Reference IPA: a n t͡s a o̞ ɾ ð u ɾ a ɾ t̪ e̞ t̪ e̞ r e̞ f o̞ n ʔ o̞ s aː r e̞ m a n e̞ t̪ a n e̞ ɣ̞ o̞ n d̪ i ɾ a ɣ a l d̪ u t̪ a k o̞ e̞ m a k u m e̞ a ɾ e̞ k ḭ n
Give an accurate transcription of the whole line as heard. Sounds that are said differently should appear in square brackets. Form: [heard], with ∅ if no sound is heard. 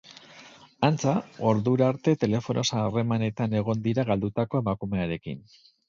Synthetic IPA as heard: a n t͡s a o̞ ɾ ð u ɾ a ɾ t̪ e̞ t̪ e̞ [l] e̞ f o̞ n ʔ o̞ s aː r e̞ m a n e̞ t̪ a n e̞ ɣ̞ o̞ n d̪ i ɾ a ɣ a l d̪ u t̪ a k o̞ e̞ m a k u m e̞ a ɾ e̞ k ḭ n